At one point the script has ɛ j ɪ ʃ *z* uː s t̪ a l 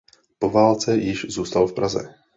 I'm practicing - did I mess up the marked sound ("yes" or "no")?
no